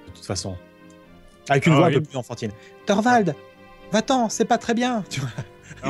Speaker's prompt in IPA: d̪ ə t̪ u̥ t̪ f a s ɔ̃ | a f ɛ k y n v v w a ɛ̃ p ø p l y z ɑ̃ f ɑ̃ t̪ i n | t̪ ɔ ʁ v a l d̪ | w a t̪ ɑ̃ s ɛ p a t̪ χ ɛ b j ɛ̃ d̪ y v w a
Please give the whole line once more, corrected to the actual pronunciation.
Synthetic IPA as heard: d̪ ə t̪ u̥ t̪ f a s ɔ̃ | a v ɛ k y n v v w a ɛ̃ p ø p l y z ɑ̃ f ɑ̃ t̪ i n | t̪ ɔ ʁ v a l d̪ | v a t̪ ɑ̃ s ɛ p a t̪ χ ɛ b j ɛ̃ t̪ y v w a